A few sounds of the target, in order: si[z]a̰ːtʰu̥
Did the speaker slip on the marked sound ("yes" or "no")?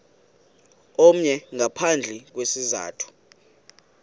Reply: no